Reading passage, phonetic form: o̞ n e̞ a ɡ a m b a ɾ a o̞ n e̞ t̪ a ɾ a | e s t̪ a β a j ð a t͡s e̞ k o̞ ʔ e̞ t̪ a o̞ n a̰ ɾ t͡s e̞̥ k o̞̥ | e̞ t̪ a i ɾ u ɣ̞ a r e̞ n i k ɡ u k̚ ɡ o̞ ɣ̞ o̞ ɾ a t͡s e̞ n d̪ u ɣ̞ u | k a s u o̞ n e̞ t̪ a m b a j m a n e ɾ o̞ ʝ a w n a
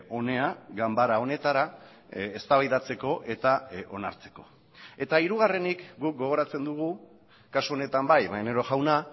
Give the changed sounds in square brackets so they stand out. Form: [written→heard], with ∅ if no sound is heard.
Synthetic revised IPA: o̞ n e̞ a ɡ a m b a ɾ a o̞ n e̞ t̪ a ɾ a | e s t̪ a β a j ð a t͡s e̞ k o̞ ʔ e̞ t̪ a o̞ n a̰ ɾ t͡s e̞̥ k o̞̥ | e̞ t̪ a i ɾ u ɣ̞ a r e̞ n i k ɡ u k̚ ɡ o̞ ɣ̞ o̞ ɾ a t͡s e̞ n d̪ u ɣ̞ u | k a s u o̞ n e̞ t̪ a m b a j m a n e ɾ o̞ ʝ a w n a